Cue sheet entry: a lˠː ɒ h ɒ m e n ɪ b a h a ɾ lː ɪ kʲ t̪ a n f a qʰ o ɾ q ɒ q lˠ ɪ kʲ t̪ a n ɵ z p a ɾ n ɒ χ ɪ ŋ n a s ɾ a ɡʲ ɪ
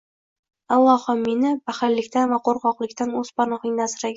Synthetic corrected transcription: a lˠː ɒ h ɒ m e n ɪ b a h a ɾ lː ɪ kʲ t̪ a n v a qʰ o ɾ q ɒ q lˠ ɪ kʲ t̪ a n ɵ z p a ɾ n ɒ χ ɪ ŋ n a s ɾ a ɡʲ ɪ

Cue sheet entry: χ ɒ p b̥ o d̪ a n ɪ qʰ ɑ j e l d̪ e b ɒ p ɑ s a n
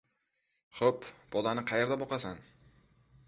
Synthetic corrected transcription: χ o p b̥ ɒ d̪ a n ɪ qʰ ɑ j e ɾ d̪ a b ɒ q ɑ s a n

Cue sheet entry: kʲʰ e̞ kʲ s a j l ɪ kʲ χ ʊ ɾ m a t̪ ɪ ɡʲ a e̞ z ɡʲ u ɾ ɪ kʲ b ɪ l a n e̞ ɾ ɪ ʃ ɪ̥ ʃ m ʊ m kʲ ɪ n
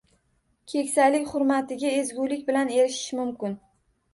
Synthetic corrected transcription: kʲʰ e̞ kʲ s a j l ɪ kʲ χ ʊ ɾ m a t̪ ɪ ɡʲ a e̞ z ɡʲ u l ɪ kʲ b ɪ l a n e̞ ɾ ɪ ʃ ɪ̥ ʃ m ʊ m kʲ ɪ n

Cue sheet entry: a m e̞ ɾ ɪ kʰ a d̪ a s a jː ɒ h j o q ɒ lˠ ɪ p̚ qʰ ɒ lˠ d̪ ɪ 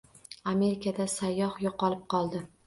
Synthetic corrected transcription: a m e̞ ɾ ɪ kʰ a d̪ a s a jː ɒ h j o q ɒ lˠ ɪ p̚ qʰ ɒ lˠ d̪ ɪ

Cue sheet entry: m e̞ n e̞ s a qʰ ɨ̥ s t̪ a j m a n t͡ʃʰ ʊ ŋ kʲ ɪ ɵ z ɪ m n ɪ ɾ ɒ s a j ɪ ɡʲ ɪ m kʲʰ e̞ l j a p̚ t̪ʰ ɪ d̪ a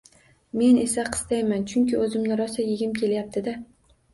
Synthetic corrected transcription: m e̞ n e̞ s a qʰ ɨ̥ s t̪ a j m a n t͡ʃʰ ʊ ŋ kʲ ɪ ɵ z ɪ m n ɪ ɾ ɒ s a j ɪ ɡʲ ɪ m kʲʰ e̞ l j a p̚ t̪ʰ ɪ d̪ a

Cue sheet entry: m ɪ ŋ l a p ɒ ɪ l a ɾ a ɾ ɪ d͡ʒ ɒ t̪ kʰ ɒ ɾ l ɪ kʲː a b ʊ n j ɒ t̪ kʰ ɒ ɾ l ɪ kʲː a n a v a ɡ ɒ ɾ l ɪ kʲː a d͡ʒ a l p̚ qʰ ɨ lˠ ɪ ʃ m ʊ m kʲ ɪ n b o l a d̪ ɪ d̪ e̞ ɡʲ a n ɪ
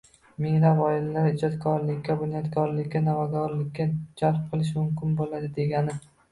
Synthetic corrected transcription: m ɪ ŋ l a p ɒ ɪ l a l a ɾ ɪ d͡ʒ ɒ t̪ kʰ ɒ ɾ l ɪ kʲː a b ʊ n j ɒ t̪ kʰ ɒ ɾ l ɪ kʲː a n a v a ɡ ɒ ɾ l ɪ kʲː a d͡ʒ a l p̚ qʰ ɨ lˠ ɪ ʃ m ʊ m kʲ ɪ n b o l a d̪ ɪ d̪ e̞ ɡʲ a n ɪ

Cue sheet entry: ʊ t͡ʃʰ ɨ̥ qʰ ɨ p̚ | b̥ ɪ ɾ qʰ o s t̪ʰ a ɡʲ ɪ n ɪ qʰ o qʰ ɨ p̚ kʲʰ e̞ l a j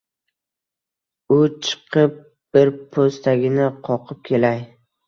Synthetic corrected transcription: ʊ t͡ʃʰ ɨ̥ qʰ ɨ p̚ | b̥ ɪ ɾ pʰ o s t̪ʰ a ɡʲ ɪ n ɪ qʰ ɒ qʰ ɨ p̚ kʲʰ e̞ l a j

